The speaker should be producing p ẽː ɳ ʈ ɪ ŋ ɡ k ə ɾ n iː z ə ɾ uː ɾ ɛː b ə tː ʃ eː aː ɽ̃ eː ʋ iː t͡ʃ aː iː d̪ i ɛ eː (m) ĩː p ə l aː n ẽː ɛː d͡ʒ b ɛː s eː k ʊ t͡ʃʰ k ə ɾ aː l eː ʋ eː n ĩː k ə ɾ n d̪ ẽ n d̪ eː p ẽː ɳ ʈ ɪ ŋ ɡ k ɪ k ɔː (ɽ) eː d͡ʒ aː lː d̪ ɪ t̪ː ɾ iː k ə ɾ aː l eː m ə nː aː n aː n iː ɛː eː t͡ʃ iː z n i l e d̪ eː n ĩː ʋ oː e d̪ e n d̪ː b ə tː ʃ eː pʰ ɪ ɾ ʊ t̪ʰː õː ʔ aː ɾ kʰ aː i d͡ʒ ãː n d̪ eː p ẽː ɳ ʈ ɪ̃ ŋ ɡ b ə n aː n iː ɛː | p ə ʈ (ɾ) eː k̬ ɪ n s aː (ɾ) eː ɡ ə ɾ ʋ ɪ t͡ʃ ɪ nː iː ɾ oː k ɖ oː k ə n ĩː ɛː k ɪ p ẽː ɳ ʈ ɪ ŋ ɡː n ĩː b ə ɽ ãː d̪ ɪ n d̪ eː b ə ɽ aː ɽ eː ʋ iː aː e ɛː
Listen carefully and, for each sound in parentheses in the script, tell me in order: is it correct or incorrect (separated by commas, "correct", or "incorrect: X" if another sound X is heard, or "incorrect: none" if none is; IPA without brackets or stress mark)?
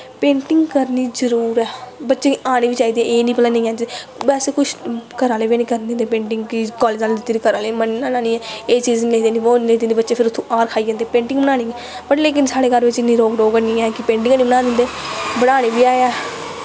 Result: incorrect: n, incorrect: l, incorrect: l, incorrect: ɽ